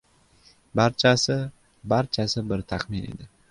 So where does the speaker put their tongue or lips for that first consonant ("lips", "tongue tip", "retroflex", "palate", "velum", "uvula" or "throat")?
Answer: lips